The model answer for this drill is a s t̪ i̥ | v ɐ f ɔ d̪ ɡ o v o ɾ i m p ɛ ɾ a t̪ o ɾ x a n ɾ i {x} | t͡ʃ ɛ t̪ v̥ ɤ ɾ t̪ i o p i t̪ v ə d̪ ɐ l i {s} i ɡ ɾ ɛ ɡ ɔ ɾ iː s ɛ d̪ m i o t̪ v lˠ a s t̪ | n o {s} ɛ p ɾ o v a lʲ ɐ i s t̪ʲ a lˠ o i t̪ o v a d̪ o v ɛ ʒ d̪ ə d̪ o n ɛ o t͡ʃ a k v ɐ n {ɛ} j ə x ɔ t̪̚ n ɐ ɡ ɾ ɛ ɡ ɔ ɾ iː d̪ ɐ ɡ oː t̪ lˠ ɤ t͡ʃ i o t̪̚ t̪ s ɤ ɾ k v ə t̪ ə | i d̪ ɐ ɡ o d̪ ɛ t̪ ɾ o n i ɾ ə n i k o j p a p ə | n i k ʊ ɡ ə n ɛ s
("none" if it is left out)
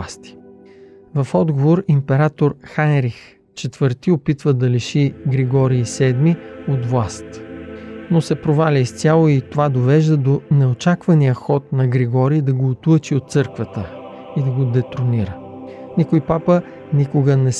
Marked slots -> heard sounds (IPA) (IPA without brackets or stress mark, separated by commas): x, ʃ, s, i